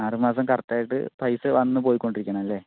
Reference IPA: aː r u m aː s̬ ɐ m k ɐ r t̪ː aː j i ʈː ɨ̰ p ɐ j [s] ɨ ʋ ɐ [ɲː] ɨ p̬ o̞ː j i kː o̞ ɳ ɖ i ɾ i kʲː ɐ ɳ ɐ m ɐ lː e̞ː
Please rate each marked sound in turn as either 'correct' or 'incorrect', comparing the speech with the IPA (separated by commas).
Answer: correct, incorrect